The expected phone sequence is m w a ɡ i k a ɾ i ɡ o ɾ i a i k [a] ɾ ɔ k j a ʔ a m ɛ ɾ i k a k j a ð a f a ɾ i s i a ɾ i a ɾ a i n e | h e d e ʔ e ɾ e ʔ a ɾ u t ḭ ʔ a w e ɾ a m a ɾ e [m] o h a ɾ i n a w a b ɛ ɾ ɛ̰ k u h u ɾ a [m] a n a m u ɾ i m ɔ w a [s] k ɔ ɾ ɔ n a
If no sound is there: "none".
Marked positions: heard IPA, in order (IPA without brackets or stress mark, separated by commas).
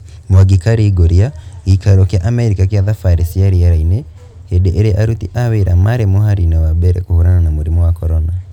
a, m, n, none